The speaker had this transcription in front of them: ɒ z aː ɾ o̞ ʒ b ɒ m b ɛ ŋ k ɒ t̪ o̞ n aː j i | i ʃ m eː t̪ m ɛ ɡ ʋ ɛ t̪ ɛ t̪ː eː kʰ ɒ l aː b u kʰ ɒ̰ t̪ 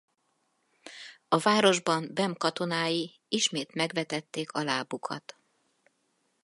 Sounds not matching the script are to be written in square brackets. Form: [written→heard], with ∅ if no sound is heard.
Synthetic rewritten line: ɒ [z→v] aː ɾ o̞ ʒ b ɒ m b ɛ [ŋ→m] k ɒ t̪ o̞ n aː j i | i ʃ m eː t̪ m ɛ ɡ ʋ ɛ t̪ ɛ t̪ː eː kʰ ɒ l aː b u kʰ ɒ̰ t̪